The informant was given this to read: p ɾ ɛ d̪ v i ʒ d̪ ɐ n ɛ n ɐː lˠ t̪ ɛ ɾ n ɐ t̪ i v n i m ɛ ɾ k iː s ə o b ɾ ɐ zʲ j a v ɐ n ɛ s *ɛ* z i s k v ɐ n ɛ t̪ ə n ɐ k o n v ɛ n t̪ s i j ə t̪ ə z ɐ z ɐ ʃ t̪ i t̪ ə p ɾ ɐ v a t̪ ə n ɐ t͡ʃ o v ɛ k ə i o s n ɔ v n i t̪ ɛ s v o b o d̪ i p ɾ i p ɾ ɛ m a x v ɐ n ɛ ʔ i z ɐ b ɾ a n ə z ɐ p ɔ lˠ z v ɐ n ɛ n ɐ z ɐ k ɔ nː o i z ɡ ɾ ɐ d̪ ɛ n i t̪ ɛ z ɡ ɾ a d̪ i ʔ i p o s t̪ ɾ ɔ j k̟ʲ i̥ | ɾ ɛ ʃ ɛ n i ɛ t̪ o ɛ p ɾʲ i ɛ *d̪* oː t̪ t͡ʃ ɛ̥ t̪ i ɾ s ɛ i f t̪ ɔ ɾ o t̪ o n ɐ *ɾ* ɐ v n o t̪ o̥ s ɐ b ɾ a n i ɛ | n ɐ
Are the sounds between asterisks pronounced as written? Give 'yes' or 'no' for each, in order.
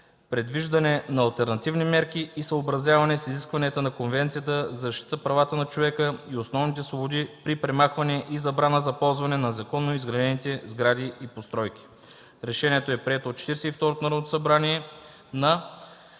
no, no, yes

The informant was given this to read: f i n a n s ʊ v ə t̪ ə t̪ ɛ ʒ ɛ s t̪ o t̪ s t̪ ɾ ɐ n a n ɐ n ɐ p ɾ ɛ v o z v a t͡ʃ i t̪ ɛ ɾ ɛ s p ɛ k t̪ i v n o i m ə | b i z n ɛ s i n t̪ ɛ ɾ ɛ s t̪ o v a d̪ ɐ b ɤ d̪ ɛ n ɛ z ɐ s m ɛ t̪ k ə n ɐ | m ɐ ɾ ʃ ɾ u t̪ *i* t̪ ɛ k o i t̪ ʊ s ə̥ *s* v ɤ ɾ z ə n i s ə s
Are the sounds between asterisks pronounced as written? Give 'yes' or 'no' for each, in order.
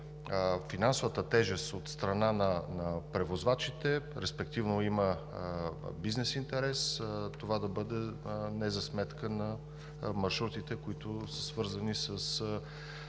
yes, yes

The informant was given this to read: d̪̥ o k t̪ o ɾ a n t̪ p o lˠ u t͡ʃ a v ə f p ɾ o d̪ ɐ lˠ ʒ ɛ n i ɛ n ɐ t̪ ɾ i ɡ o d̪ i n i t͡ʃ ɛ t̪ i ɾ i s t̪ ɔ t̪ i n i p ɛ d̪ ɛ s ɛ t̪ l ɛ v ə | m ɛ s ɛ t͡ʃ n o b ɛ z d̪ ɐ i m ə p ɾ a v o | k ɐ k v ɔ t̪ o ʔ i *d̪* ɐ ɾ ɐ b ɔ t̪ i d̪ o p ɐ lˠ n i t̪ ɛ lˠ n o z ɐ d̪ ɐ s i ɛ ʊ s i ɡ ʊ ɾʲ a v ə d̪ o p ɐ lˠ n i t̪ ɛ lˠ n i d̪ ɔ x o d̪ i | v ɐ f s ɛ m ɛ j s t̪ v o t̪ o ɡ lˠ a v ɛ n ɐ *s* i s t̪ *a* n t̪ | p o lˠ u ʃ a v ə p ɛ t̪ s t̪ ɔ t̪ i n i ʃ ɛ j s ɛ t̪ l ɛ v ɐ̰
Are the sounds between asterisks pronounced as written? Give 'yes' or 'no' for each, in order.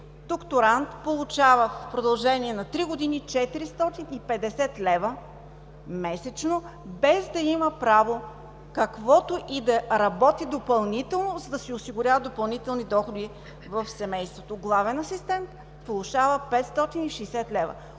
yes, yes, no

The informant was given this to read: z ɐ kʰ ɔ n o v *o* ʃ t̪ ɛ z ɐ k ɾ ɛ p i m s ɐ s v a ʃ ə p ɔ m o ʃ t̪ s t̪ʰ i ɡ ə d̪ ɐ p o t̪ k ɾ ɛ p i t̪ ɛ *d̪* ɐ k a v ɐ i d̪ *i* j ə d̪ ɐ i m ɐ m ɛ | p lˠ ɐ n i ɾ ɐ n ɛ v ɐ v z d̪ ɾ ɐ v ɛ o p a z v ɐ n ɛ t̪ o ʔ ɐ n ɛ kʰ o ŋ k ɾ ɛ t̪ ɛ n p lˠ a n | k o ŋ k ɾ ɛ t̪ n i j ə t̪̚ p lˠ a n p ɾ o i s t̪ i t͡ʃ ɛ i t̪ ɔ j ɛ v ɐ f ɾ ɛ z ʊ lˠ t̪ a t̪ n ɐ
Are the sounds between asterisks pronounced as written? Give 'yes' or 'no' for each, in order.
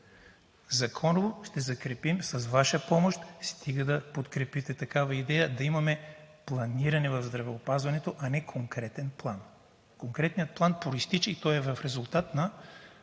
yes, no, no

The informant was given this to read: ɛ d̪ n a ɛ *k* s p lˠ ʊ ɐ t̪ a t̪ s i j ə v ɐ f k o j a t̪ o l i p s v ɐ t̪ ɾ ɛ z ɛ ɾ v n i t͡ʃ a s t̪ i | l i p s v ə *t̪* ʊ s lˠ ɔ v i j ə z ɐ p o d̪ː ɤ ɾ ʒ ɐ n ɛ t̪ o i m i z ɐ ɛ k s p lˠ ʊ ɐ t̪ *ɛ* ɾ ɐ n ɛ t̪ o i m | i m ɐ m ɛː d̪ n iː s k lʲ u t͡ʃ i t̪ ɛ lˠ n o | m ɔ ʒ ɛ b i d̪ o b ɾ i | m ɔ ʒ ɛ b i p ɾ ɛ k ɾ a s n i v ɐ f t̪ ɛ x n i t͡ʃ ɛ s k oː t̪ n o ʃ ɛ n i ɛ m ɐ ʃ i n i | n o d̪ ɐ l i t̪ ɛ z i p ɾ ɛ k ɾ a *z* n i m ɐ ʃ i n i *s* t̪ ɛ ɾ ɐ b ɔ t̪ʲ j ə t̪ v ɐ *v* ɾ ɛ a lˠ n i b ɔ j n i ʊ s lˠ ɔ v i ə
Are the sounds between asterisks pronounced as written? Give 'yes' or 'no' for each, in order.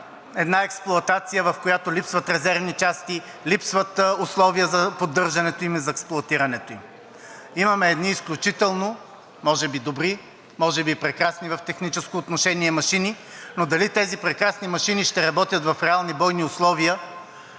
yes, yes, no, no, no, no

